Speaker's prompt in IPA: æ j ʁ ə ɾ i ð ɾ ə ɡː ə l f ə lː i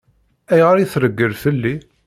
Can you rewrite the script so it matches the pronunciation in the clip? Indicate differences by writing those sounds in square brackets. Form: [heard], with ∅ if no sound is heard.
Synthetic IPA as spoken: æ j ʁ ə ɾ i [θ] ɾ ə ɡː ə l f ə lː i